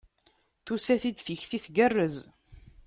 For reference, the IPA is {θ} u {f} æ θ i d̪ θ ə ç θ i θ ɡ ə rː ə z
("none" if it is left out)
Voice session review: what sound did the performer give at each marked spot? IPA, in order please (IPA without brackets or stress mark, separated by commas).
θ, s